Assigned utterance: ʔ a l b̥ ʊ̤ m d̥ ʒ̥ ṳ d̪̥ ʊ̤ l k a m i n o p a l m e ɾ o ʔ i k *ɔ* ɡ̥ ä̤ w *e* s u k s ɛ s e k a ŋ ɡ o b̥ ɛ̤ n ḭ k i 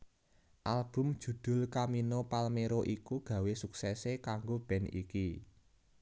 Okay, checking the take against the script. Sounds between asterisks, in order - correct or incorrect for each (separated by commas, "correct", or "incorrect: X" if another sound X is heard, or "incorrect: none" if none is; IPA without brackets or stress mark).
incorrect: u, correct